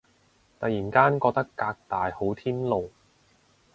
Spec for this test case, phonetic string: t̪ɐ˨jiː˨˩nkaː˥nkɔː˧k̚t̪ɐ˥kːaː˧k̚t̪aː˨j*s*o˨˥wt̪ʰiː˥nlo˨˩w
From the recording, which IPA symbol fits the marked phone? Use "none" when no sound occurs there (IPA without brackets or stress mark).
h